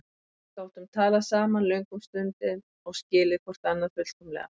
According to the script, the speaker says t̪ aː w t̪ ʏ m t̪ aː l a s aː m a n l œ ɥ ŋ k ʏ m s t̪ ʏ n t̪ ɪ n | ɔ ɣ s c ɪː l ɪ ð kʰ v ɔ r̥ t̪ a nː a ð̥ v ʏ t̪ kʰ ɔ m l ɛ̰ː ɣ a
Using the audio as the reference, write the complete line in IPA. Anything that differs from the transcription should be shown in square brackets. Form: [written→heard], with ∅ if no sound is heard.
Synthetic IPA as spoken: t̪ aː w t̪ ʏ m [t̪→t̪ʰ] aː l a s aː m a n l œ ɥ ŋ k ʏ m s t̪ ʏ n t̪ ɪ n | ɔ ɣ s c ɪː l ɪ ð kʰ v ɔ r̥ t̪ a nː a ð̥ [v→f] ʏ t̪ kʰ ɔ m l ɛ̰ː ɣ a